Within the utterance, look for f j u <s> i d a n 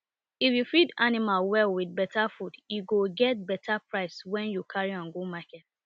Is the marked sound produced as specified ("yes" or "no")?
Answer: no